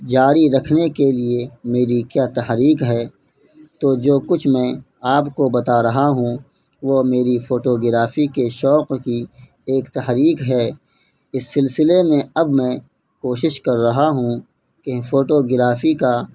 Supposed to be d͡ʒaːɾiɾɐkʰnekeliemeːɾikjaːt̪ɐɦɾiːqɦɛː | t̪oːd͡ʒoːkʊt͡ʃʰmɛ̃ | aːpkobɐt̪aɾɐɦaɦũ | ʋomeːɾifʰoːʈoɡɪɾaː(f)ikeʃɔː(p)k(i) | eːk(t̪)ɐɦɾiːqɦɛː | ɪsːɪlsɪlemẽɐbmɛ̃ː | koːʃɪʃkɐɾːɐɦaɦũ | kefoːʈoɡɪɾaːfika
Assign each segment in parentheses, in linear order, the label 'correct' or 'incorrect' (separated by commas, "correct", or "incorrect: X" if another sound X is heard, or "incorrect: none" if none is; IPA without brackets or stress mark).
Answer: correct, incorrect: q, correct, correct